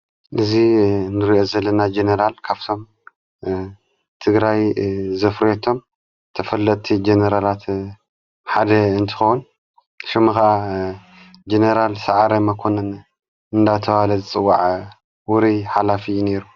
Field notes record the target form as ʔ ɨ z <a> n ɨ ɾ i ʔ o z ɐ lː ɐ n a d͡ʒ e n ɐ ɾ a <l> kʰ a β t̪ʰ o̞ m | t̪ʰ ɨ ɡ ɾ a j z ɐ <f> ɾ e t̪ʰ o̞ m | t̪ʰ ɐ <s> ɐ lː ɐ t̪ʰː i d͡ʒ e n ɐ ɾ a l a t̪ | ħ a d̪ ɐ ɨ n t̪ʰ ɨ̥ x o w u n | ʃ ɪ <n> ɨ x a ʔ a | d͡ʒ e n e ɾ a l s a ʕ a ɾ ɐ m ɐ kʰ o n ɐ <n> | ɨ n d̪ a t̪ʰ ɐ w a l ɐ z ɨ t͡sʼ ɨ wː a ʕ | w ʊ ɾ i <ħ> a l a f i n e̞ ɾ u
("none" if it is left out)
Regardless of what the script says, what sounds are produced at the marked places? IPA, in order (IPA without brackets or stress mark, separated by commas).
i, l, f, f, m, n, ħ